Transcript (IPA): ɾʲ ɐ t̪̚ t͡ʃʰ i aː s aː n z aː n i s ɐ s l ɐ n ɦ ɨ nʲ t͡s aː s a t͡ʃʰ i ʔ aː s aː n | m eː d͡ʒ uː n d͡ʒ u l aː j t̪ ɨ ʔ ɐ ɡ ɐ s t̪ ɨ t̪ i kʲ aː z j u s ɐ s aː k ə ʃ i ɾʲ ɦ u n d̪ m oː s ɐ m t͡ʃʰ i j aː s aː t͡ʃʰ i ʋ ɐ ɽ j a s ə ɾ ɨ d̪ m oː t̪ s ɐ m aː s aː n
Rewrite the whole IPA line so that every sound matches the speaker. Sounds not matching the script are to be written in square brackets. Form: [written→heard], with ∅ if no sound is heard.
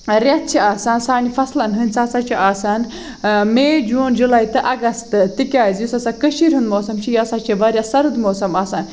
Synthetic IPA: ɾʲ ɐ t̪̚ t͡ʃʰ i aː s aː n [z→s] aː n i [s→f] ɐ s l ɐ n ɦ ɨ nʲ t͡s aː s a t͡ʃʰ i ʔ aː s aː n | m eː d͡ʒ uː n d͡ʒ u l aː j t̪ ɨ ʔ ɐ ɡ ɐ s t̪ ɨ t̪ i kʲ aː z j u s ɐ s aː k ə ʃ i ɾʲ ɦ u n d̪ m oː s ɐ m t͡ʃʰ i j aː s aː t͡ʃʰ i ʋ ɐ [ɽ→ɾ] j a s [ə→ɐ] ɾ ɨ d̪ m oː [t̪→∅] s ɐ m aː s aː n

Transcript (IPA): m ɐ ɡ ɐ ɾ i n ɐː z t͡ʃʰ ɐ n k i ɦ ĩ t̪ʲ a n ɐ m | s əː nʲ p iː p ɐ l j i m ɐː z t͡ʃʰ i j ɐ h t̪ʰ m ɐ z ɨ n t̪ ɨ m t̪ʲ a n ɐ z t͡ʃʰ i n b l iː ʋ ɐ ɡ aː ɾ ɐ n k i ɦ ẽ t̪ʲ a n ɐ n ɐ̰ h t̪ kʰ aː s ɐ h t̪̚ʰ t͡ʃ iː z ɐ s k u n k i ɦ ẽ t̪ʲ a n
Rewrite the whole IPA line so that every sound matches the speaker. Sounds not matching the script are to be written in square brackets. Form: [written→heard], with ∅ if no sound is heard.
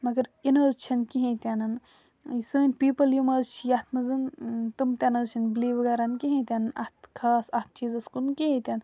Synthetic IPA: m ɐ ɡ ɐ ɾ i n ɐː z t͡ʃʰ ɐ n k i ɦ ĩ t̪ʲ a n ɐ [m→n] | s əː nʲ p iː p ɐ l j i m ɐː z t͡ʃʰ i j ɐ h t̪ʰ m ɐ z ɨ n t̪ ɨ m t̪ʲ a n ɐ z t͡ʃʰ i n b l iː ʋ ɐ ɡ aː ɾ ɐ n k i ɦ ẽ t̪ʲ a n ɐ n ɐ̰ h t̪ kʰ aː s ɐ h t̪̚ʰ t͡ʃ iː z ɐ s k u n k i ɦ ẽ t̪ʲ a n

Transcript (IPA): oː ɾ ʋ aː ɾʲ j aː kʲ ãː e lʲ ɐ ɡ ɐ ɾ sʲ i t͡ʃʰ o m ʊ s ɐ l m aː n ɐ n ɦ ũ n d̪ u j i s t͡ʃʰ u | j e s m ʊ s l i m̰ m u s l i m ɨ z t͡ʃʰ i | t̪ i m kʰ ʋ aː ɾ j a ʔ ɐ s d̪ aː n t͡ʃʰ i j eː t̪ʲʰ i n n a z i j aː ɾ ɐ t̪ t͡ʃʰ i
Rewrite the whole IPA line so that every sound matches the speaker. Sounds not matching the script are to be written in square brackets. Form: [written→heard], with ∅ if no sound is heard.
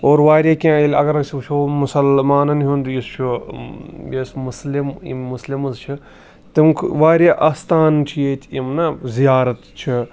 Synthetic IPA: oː ɾ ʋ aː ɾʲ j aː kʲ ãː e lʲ ɐ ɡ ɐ ɾ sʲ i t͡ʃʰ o m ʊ s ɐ l m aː n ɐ n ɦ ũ n d̪ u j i s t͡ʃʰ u | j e s m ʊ s l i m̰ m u s l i m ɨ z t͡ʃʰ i | t̪ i m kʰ ʋ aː ɾ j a ʔ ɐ s [d̪→t̪] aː n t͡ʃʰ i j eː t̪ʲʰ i [n→m] n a z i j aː ɾ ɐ t̪ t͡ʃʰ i

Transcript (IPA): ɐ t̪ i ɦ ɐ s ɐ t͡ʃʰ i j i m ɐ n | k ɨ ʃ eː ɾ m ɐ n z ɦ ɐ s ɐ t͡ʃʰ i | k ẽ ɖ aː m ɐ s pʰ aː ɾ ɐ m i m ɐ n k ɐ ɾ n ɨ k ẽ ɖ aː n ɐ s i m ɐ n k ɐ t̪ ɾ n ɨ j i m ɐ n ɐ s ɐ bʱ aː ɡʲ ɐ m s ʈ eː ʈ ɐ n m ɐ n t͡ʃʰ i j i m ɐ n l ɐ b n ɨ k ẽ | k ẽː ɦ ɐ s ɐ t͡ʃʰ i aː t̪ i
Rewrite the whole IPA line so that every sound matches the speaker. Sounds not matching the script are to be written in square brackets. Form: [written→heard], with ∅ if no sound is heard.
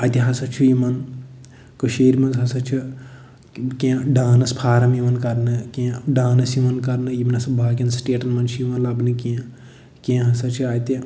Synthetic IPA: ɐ t̪ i ɦ ɐ s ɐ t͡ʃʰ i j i m ɐ n | k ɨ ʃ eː ɾ m ɐ n z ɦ ɐ s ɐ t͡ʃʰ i | k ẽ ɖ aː [m→n] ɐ s pʰ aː ɾ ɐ m i m ɐ n k ɐ ɾ n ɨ k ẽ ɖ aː n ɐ s i m ɐ n k ɐ [t̪→∅] ɾ n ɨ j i m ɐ n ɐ s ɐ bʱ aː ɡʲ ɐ [m→n] s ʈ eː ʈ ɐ n m ɐ n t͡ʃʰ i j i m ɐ n l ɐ b n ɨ k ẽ | k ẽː ɦ ɐ s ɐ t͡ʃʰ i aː t̪ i

